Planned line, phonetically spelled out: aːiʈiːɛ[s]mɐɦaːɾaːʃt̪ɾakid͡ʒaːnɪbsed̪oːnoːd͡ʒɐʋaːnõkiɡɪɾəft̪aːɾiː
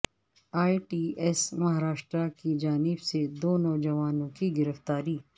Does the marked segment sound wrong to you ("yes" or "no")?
no